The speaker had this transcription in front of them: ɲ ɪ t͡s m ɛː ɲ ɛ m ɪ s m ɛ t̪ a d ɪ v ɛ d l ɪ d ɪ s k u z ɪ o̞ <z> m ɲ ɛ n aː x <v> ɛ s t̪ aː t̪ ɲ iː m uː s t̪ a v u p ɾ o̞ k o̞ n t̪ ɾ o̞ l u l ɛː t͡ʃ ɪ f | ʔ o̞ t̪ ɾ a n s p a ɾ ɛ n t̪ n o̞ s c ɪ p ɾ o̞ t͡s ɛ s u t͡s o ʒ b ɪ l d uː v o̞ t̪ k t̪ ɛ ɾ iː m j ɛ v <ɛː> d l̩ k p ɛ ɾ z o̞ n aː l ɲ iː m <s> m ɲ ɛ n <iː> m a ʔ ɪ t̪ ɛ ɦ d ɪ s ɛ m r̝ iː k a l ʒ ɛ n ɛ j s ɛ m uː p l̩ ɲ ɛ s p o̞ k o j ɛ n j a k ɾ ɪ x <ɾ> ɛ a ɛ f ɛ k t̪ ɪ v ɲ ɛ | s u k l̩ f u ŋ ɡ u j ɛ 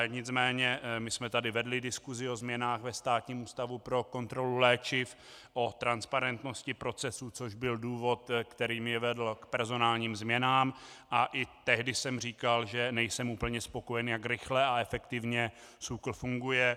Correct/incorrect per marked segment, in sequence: correct, correct, incorrect, incorrect, incorrect, incorrect

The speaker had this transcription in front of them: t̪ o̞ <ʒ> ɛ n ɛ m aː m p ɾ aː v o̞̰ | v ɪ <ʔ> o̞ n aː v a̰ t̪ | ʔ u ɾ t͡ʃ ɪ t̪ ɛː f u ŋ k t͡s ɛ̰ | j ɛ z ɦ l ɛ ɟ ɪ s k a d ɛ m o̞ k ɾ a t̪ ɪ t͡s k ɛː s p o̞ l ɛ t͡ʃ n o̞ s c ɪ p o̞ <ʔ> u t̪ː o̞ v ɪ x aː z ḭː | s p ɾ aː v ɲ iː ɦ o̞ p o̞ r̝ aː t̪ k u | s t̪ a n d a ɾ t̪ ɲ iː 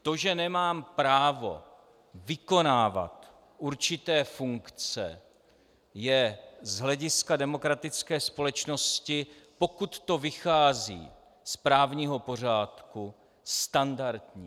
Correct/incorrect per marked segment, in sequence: correct, incorrect, incorrect

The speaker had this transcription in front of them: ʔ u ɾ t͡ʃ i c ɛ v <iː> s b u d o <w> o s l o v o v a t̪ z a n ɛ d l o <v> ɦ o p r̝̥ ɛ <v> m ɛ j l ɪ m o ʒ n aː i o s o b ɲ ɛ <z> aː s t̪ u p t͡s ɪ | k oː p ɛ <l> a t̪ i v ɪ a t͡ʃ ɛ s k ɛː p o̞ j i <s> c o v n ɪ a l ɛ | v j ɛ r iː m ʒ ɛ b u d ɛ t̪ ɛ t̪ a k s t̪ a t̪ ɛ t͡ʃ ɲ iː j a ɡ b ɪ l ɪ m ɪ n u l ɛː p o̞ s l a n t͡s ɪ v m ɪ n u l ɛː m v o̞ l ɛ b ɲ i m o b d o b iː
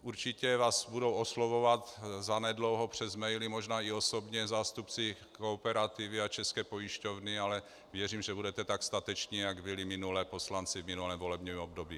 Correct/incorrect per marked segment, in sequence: incorrect, correct, incorrect, incorrect, correct, incorrect, incorrect

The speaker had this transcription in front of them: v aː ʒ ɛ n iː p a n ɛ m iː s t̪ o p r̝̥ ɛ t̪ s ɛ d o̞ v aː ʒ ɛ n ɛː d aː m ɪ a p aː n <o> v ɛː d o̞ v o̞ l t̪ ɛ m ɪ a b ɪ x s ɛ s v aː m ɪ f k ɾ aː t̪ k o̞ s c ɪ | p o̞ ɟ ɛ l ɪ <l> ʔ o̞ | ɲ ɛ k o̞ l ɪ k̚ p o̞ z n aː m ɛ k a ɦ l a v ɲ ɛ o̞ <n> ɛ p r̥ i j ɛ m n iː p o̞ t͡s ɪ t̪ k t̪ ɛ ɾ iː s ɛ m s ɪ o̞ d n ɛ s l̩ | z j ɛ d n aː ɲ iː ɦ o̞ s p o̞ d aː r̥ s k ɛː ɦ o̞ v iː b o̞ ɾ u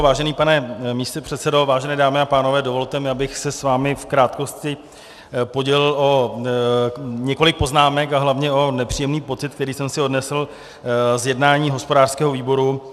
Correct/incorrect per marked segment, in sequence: correct, correct, correct

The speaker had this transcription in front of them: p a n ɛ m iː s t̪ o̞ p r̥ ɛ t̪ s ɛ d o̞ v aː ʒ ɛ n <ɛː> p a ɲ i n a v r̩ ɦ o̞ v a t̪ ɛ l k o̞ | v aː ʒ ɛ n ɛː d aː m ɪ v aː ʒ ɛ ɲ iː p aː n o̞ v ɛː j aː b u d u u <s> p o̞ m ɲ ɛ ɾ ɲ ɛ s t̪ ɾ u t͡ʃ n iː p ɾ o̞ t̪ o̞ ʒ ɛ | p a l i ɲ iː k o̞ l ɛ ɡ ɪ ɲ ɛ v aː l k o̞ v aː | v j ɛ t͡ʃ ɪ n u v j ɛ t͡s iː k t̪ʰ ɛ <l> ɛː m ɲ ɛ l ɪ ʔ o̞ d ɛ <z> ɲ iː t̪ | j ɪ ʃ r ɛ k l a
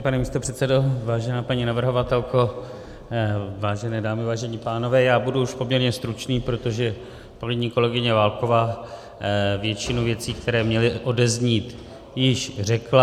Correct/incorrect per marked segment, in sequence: incorrect, incorrect, incorrect, correct

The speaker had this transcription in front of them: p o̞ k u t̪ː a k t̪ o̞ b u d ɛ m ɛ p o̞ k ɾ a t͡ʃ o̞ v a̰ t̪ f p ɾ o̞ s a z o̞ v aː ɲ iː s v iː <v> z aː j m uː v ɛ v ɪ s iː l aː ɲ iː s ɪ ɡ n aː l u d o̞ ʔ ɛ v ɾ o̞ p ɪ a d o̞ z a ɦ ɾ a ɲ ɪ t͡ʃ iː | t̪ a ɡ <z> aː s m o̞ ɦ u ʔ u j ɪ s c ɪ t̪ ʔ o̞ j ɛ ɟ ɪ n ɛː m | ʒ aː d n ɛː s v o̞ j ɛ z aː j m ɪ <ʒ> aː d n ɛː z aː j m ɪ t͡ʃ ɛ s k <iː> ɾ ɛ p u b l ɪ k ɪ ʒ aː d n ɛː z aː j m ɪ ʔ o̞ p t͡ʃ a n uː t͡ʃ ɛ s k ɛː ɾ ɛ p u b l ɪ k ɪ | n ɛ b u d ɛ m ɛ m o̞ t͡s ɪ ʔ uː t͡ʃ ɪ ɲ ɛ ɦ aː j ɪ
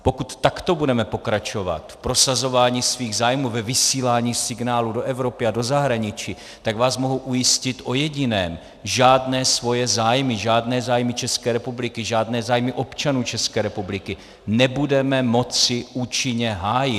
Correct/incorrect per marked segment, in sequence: incorrect, incorrect, correct, incorrect

